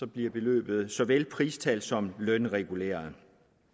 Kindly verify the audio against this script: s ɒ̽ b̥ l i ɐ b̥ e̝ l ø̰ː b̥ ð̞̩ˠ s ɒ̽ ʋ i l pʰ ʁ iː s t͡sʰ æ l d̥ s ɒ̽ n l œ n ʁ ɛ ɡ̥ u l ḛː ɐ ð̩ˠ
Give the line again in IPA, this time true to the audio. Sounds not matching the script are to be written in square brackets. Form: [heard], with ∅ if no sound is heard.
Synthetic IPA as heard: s ɒ̽ b̥ l i ɐ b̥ e̝ l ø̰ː b̥ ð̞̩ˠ s ɒ̽ ʋ [e] l pʰ ʁ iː s t͡sʰ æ l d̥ s ɒ̽ [m] l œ n ʁ ɛ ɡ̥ u l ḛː ɐ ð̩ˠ

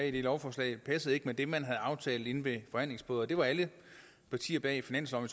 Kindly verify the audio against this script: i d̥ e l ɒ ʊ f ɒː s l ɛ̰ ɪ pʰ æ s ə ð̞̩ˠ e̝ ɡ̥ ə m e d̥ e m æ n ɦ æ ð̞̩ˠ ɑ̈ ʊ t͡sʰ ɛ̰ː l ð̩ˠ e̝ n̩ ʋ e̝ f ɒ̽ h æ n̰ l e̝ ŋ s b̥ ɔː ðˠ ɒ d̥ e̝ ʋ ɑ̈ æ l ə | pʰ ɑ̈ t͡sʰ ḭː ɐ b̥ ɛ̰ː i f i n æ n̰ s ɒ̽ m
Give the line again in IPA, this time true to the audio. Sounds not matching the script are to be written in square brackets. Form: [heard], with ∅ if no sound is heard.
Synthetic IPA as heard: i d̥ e l ɒ ʊ f ɒː s l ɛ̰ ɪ pʰ æ s ə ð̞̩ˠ e̝ ɡ̥ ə m e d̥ e m æ n ɦ æ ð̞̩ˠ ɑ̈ ʊ t͡sʰ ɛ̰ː l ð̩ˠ e̝ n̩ ʋ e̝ f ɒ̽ h æ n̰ l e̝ ŋ s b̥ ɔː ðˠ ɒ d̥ e̝ ʋ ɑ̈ æ l ə | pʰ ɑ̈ t͡sʰ ḭː ɐ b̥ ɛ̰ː i f i n æ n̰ s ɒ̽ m

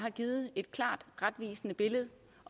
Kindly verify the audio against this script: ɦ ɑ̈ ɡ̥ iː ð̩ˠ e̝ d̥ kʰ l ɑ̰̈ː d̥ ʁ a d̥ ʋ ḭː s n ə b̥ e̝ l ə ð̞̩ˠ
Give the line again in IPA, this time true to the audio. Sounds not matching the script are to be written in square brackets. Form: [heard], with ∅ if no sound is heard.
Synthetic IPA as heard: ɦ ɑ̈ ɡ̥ iː ð̩ˠ e̝ d̥ kʰ l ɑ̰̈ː d̥ ʁ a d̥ ʋ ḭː s n ə b̥ e̝ l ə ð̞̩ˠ

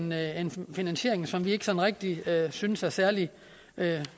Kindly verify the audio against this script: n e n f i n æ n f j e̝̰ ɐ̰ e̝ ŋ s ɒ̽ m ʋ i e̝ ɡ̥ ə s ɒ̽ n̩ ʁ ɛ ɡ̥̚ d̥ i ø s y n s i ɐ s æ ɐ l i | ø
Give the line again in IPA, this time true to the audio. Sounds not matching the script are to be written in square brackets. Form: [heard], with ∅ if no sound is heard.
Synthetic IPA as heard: n e n f i n æ n [ɕ] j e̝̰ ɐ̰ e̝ ŋ s ɒ̽ m ʋ i e̝ ɡ̥ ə s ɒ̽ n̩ ʁ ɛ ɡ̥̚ d̥ i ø s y n s [æ] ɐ s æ ɐ l i | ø

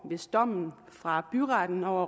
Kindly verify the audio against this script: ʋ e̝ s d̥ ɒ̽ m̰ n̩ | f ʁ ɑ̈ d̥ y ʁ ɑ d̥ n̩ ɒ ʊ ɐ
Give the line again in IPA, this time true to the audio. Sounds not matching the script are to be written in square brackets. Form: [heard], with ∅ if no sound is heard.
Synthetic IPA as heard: ʋ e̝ s d̥ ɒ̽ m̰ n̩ | f ʁ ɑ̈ [b̥] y ʁ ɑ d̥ n̩ ɒ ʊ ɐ

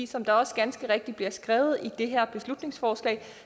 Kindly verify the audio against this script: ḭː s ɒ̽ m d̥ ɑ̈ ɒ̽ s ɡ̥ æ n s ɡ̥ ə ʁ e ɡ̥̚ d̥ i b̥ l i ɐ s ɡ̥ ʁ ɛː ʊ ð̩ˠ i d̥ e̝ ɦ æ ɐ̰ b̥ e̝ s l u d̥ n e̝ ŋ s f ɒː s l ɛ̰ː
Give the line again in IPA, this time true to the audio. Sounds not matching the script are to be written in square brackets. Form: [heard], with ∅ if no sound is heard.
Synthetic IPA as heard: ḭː s ɒ̽ m d̥ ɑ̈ ɒ̽ s ɡ̥ æ n s ɡ̥ ə ʁ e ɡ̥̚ d̥ i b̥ l i ɐ s ɡ̥ ʁ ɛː ʊ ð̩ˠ i d̥ e̝ ɦ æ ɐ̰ b̥ e̝ s l u d̥ n e̝ ŋ s f ɒː s l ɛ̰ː

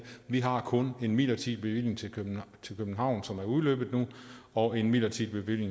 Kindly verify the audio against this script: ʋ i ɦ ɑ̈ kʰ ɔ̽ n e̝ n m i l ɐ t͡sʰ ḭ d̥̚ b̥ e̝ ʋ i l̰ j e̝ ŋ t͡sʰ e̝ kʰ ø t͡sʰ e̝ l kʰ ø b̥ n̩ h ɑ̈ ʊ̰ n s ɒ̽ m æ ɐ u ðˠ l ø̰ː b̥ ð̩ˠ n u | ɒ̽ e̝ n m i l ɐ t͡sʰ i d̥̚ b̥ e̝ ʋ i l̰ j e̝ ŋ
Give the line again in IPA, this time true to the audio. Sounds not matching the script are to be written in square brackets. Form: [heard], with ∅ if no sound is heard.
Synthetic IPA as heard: ʋ i ɦ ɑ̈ kʰ ɔ̽ n e̝ n m i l ɐ t͡sʰ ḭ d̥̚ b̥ e̝ ʋ i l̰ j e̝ ŋ t͡sʰ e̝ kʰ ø t͡sʰ e̝ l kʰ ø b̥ n̩ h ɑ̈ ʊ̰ n s ɒ̽ m æ ɐ u ðˠ l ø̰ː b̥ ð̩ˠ n u | ɒ̽ e̝ n m i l ɐ t͡sʰ i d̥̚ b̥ e̝ ʋ i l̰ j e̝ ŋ

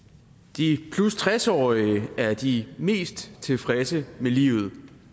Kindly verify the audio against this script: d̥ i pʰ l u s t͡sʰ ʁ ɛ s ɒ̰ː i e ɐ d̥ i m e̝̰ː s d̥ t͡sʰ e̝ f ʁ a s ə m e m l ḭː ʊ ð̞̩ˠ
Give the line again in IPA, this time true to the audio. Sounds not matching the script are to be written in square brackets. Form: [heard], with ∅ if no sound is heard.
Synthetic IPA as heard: d̥ i pʰ l u s t͡sʰ ʁ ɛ s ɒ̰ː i [æ] ɐ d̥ i m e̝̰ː s d̥ t͡sʰ e̝ f ʁ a s ə m e [∅] l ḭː ʊ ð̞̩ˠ

